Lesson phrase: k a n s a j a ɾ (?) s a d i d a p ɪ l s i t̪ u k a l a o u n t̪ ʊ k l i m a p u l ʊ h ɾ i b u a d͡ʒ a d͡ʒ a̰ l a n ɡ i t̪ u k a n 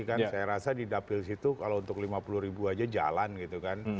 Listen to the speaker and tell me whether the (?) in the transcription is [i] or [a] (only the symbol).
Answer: a